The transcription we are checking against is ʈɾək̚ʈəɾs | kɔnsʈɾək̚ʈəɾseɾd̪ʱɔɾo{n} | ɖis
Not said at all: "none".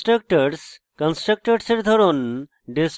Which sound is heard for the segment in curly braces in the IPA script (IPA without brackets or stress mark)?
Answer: n